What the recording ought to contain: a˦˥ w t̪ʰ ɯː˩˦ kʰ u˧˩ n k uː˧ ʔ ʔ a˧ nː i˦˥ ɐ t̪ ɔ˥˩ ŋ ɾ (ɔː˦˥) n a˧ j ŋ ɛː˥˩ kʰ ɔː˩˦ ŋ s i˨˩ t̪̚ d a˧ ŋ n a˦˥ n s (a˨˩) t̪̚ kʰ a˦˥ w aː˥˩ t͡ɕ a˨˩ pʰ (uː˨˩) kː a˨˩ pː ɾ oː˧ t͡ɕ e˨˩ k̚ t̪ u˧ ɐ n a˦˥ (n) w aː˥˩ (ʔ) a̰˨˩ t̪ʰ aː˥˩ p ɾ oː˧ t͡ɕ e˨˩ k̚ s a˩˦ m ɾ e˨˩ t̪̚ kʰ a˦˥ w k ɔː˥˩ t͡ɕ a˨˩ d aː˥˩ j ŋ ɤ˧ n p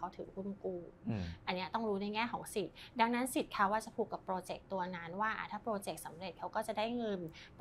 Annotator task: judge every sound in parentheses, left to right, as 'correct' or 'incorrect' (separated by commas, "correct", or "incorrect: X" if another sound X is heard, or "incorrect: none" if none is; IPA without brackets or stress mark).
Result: incorrect: uː˦˥, incorrect: i˨˩, correct, correct, correct